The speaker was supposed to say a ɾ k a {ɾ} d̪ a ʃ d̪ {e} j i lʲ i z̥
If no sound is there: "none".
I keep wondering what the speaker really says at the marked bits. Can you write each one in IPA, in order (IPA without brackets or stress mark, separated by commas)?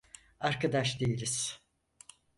none, e